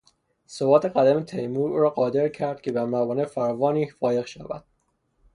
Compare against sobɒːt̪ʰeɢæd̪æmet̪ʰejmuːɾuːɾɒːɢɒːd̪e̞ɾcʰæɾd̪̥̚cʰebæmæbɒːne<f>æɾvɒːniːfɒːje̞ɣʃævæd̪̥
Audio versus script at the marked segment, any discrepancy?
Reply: no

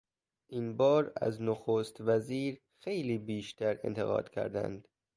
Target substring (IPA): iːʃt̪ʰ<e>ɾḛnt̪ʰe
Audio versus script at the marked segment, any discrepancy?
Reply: yes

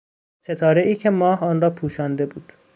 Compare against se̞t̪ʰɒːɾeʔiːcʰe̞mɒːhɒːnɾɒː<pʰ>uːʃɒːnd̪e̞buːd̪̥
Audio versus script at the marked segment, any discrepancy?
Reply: no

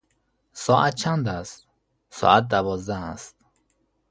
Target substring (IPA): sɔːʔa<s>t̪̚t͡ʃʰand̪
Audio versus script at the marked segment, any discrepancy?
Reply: yes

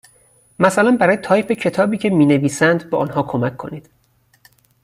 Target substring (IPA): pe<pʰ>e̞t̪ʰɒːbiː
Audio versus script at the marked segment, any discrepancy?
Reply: yes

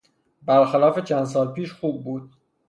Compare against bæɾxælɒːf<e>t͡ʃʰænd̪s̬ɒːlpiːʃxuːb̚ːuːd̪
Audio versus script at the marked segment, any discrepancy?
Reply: no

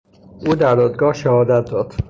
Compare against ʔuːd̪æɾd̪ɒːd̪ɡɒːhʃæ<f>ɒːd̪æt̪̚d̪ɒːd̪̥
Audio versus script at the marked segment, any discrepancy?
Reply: yes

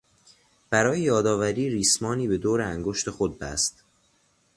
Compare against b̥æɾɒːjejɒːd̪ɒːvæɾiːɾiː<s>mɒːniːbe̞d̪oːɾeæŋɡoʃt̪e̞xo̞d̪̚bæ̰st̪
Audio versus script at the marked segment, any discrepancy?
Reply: no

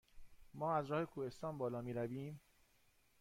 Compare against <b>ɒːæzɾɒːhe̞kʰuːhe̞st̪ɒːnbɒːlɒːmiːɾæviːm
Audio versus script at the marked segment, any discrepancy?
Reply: yes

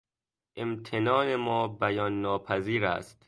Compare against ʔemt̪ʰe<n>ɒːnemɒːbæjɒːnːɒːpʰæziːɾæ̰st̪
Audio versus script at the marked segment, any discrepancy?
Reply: no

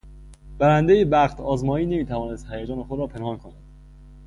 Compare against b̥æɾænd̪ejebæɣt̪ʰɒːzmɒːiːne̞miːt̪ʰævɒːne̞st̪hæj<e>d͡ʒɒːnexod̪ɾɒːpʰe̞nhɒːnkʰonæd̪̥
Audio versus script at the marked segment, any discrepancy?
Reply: yes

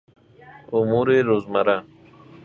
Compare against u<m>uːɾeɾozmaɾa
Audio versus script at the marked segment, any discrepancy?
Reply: no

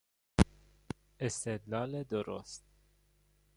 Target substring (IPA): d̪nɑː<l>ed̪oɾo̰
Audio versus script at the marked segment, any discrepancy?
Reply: no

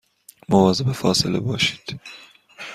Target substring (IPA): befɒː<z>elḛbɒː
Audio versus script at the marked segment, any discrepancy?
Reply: yes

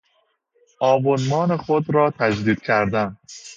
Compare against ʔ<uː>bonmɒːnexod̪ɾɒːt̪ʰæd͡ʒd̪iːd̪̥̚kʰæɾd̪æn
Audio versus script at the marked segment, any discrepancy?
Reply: yes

